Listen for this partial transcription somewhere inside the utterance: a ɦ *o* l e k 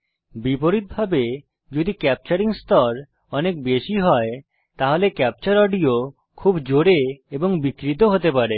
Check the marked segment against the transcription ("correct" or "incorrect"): correct